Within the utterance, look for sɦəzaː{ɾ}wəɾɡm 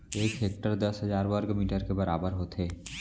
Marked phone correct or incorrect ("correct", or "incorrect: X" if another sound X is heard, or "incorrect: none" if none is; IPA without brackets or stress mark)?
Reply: correct